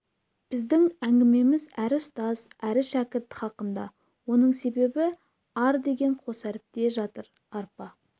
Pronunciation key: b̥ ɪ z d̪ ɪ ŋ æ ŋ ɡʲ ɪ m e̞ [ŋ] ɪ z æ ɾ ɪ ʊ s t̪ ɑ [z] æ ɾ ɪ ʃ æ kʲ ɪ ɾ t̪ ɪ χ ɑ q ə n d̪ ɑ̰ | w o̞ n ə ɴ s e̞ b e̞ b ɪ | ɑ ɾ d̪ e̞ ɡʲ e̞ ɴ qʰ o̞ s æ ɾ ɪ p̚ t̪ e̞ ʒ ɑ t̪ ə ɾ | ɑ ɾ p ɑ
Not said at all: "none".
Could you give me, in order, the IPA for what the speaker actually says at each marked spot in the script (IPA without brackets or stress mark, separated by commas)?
m, z